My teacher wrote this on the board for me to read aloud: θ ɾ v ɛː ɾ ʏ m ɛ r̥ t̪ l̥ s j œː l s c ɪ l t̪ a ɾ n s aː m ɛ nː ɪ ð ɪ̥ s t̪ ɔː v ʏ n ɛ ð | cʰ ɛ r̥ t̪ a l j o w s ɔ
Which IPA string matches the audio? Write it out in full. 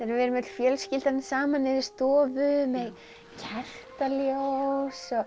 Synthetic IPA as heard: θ ɾ v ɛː ɾ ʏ m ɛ t̪ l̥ f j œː l s c ɪ l t̪ a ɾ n s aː m a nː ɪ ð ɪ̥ s t̪ ɔː v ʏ m ɛ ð | cʰ ɛ r̥ t̪ a l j o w s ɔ